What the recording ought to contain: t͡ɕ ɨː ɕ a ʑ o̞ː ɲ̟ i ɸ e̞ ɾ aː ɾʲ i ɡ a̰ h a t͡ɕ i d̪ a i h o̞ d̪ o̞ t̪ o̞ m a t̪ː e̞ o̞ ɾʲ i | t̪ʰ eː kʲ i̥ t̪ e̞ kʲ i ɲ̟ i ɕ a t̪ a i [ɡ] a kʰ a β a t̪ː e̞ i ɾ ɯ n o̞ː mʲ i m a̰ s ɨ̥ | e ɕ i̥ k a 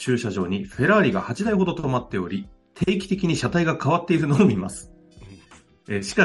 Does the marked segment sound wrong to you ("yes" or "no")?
no